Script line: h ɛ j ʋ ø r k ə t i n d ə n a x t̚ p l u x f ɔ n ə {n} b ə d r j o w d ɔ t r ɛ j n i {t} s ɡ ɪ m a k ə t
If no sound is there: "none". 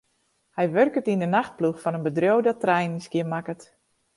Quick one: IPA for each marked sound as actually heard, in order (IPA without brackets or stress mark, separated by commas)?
n, none